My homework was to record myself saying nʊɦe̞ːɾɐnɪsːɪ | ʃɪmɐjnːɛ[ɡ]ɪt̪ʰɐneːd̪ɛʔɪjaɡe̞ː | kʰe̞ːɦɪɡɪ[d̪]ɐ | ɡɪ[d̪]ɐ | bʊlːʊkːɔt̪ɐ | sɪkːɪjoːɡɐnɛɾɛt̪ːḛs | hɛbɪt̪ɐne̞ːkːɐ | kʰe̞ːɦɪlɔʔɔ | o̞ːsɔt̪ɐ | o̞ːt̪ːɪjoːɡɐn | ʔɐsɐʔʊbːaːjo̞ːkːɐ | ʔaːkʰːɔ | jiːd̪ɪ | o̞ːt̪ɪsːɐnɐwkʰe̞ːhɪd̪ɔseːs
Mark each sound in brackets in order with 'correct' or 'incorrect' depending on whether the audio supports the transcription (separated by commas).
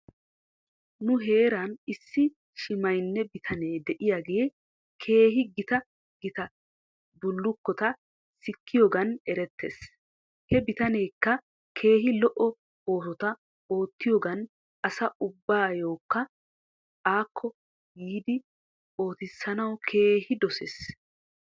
incorrect, incorrect, incorrect